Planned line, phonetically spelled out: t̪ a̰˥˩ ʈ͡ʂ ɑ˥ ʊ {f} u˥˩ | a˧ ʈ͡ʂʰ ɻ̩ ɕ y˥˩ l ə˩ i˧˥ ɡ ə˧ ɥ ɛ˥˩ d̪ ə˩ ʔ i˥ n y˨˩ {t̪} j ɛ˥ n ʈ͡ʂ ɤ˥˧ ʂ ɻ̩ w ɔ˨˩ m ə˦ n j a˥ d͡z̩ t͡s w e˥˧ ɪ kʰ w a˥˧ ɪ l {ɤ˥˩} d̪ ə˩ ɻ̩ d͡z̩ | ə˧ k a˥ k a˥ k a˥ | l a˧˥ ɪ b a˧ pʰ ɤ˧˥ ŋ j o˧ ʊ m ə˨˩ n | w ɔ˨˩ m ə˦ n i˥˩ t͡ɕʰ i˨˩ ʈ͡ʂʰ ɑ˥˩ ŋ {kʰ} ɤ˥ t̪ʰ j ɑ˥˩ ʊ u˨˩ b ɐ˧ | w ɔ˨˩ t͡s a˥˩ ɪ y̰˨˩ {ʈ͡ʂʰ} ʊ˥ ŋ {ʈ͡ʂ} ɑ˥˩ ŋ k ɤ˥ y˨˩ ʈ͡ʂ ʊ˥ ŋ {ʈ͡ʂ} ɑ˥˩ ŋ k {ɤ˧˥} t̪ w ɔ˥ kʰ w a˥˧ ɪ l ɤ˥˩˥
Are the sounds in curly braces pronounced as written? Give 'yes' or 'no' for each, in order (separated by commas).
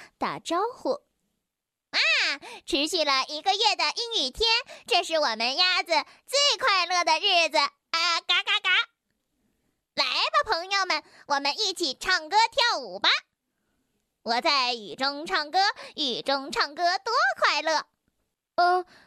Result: no, no, yes, no, no, no, no, no